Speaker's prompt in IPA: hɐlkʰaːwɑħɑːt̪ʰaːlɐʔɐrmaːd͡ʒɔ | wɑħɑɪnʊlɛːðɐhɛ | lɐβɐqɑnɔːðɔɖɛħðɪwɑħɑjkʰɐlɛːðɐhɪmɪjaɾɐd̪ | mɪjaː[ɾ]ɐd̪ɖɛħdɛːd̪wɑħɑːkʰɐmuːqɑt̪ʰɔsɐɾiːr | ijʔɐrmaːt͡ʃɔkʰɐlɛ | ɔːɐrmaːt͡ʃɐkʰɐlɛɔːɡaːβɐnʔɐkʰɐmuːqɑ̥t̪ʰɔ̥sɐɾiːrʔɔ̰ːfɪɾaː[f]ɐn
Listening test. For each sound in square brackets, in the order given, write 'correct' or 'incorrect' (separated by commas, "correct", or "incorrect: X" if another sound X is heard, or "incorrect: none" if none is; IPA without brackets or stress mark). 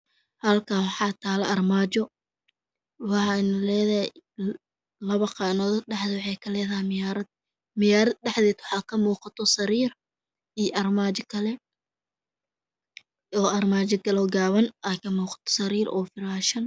correct, incorrect: ʃ